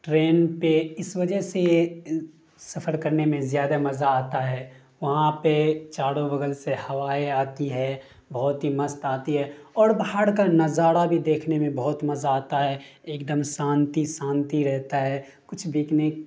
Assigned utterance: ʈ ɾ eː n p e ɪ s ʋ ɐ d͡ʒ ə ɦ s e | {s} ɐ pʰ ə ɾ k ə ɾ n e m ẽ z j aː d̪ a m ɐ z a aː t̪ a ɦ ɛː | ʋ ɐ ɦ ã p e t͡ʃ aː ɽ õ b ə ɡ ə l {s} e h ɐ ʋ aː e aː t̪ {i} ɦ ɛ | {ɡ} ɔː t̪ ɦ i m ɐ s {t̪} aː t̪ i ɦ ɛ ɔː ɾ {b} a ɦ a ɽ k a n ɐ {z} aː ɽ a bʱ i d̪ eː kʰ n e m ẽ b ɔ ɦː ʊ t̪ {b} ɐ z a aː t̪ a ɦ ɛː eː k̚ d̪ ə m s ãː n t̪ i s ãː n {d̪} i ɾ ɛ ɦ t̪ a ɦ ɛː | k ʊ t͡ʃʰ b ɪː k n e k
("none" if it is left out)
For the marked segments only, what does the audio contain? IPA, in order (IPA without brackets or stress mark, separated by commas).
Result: s, s, i, b, t̪, b, z, m, t̪